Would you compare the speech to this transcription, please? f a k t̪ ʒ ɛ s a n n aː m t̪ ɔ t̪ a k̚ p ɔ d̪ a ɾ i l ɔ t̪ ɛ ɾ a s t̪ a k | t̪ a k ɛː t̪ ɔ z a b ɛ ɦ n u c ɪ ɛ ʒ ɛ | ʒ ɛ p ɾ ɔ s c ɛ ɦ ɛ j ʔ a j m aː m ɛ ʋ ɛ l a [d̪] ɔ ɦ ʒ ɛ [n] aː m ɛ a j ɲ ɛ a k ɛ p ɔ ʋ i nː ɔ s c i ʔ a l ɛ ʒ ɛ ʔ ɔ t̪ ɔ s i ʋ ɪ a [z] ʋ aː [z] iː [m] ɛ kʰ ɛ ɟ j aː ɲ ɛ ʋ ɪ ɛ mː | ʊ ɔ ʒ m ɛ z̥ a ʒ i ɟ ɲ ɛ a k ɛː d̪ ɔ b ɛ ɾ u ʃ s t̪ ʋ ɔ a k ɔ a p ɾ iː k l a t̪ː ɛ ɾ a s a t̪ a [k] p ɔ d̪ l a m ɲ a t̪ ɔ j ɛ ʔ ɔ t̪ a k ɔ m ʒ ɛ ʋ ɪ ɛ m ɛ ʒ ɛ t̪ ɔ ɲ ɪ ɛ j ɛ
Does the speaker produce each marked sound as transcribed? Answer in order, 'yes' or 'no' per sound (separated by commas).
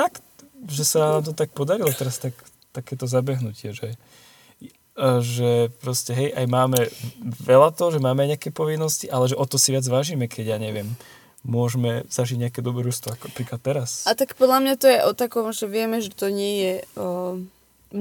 no, no, no, no, yes, yes